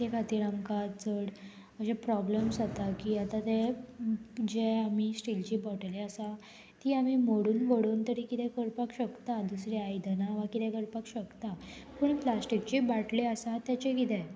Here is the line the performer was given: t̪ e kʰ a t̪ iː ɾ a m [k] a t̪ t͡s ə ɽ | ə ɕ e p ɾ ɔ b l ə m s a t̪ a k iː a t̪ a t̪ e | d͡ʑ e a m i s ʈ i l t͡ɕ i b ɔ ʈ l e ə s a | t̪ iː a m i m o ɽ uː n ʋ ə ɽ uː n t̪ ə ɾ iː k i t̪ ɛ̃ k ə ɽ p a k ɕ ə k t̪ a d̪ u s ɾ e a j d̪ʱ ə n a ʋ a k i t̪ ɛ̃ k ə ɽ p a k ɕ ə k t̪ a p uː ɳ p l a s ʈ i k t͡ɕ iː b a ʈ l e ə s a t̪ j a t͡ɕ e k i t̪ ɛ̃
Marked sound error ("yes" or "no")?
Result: no